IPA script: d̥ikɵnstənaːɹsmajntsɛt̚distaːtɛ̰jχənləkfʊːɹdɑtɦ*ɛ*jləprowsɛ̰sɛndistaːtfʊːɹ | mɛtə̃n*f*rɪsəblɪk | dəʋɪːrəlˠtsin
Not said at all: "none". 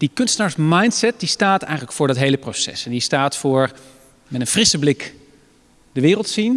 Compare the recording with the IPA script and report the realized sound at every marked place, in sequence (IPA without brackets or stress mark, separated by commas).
e, f